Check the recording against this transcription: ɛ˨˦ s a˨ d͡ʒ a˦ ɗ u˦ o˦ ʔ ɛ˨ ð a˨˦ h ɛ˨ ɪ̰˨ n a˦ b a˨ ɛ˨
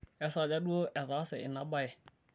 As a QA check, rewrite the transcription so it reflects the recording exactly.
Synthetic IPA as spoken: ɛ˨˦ s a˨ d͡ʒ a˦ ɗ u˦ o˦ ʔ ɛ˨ ð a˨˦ s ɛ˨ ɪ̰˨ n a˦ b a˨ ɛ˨